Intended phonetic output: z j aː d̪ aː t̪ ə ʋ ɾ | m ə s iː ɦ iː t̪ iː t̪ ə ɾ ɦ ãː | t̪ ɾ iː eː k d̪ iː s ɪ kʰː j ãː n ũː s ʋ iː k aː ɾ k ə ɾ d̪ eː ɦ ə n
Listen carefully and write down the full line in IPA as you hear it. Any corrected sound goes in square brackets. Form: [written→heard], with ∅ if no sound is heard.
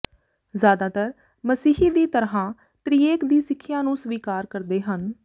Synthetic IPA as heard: z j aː d̪ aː t̪ ə [ʋ→∅] ɾ | m ə s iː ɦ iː [t̪→d̪] iː t̪ ə ɾ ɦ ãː | t̪ ɾ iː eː k d̪ iː s ɪ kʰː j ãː n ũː s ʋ iː k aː ɾ k ə ɾ d̪ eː ɦ ə n